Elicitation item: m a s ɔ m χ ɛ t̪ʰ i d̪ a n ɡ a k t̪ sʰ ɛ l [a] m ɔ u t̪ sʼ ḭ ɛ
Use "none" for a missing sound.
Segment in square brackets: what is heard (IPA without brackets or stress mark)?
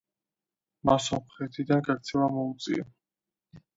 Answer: a